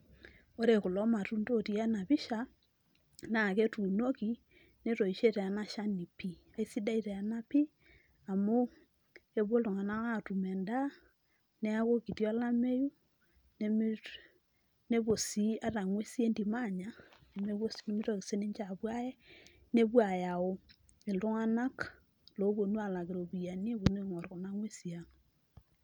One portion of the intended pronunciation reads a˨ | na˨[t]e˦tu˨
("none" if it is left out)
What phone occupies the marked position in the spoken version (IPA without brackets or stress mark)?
k